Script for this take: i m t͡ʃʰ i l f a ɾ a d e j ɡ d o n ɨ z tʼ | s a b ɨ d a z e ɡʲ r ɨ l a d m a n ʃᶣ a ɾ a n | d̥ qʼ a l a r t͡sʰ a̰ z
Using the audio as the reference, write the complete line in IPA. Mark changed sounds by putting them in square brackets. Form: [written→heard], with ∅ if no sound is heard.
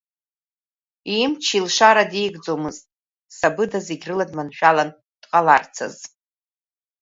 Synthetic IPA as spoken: i m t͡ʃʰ i l [f→ʂ] a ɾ a d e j ɡ [d→d͡z] o [n→m] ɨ z tʼ | s a b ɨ d a z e ɡʲ r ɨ l a d m a n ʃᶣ a [ɾ→l] a n | d̥ qʼ a l a r t͡sʰ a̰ z